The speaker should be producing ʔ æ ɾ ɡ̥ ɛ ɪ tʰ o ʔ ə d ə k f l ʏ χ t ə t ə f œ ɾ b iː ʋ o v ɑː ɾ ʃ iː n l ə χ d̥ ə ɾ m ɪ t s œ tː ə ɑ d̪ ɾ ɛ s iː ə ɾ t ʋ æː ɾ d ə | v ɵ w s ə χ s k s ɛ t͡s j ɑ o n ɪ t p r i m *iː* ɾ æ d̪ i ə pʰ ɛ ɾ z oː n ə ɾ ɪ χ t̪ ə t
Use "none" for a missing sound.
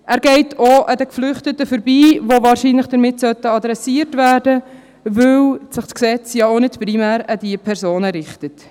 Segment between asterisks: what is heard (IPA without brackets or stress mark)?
æː